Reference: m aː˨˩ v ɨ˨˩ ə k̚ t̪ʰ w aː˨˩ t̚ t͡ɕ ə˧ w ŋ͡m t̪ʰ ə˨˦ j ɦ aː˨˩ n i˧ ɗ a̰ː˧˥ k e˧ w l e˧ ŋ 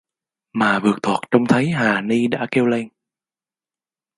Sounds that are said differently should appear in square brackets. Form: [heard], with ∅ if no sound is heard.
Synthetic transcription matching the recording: m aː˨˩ v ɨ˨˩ ə k̚ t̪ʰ w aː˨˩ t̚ t͡ɕ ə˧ w ŋ͡m t̪ʰ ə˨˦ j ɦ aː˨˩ n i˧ ɗ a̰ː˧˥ k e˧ w l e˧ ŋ

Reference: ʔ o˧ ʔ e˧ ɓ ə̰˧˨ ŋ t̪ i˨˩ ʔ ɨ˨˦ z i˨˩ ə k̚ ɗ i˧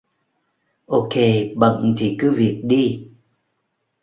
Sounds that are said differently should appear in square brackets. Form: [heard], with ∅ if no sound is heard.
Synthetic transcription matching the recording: ʔ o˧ [k] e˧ ɓ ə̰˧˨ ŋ [t̪ʰ] i˨˩ [k] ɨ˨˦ [v] i˨˩ ə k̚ ɗ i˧

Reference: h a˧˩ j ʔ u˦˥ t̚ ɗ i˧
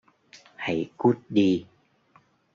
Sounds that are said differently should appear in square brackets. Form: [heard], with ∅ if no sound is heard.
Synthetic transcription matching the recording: h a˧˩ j [k] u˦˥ t̚ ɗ i˧

